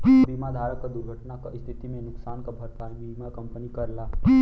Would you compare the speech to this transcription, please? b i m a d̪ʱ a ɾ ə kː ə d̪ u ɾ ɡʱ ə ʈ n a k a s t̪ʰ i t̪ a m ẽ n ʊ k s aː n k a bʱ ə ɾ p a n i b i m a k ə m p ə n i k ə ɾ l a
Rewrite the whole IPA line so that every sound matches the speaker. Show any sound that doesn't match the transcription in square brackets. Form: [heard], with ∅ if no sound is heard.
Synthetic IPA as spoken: b i m a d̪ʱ a ɾ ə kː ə d̪ u ɾ ɡʱ ə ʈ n a k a s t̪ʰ i t̪ [i] m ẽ n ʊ k s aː n k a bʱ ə ɾ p a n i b i m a k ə m p ə n i k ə ɾ l a